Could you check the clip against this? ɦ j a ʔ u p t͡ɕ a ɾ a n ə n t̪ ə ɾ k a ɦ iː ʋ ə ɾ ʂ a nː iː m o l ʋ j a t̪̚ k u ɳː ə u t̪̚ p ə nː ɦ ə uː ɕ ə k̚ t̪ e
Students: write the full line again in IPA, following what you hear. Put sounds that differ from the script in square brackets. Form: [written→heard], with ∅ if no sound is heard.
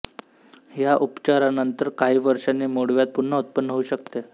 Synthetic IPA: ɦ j a ʔ u p t͡ɕ a ɾ a n ə n t̪ ə ɾ k a ɦ iː ʋ ə ɾ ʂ a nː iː m o [l→ɽ] ʋ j a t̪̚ [k→p] u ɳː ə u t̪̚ p ə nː ɦ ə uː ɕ ə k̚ t̪ e